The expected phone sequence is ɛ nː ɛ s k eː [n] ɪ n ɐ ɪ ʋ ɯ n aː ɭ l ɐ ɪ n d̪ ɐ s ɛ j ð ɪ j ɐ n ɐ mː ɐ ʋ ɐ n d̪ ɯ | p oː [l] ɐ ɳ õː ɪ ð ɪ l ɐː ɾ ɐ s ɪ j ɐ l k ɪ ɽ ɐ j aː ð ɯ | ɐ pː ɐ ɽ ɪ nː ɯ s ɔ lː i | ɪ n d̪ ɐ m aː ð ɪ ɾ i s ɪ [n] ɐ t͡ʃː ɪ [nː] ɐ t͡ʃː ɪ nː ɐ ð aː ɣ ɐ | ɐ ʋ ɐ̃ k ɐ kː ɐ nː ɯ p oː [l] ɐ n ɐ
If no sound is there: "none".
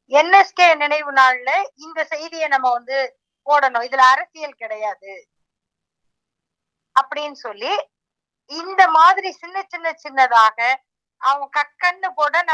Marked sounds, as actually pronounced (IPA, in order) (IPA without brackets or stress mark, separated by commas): n, ɽ, nː, nː, ɽ